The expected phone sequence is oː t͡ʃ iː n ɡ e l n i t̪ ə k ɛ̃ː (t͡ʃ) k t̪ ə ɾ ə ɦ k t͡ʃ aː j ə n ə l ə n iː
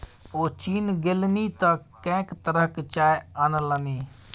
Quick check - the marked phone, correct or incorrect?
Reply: incorrect: none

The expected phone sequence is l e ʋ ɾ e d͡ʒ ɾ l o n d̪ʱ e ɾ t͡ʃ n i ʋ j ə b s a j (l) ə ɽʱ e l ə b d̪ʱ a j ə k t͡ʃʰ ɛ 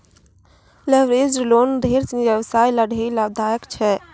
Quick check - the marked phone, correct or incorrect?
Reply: correct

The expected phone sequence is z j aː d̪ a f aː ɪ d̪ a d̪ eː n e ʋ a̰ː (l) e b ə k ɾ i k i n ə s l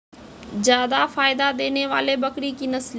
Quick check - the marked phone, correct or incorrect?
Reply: correct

